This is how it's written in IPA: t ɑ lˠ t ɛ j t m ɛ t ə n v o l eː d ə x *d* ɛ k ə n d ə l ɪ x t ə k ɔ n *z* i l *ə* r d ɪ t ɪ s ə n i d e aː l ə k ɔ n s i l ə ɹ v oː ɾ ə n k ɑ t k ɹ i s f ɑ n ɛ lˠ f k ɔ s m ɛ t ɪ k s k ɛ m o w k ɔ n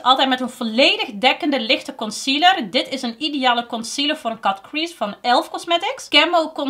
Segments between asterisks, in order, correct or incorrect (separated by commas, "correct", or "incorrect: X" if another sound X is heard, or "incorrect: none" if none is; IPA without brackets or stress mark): correct, incorrect: s, correct